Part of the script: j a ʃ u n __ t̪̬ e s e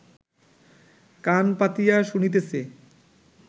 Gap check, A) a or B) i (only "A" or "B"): B